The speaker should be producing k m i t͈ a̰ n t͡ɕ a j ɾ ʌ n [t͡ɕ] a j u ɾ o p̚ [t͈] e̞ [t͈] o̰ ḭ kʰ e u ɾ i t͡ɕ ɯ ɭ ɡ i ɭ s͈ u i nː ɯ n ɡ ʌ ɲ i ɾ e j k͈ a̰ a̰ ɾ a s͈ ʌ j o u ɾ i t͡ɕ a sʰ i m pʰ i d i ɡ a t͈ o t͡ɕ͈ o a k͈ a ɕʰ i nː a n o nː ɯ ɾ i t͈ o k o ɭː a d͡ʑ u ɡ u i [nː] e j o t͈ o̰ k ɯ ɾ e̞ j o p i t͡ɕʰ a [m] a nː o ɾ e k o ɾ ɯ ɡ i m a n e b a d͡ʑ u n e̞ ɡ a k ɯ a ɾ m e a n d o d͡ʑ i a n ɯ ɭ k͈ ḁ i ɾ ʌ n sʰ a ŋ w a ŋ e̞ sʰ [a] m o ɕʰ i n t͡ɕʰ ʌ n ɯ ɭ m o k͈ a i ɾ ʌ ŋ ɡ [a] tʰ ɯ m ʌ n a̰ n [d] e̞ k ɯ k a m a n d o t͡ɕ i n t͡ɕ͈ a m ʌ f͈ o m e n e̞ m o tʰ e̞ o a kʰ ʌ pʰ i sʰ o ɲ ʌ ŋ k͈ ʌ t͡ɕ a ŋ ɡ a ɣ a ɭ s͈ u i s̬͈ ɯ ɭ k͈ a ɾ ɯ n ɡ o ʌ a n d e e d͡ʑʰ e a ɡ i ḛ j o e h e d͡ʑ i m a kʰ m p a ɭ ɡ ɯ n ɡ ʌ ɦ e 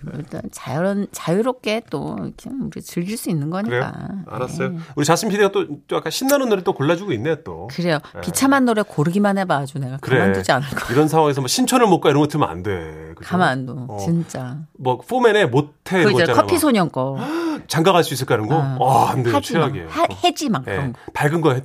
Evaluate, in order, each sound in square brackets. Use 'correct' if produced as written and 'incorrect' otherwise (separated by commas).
correct, incorrect, correct, correct, correct, incorrect, incorrect, correct